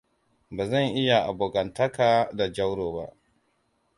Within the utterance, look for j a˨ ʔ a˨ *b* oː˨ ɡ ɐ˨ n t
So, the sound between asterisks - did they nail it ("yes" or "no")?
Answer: yes